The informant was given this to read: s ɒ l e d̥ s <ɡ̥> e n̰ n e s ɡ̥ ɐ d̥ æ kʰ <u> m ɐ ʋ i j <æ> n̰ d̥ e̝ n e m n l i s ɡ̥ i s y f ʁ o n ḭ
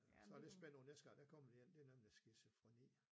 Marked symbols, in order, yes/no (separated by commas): no, no, no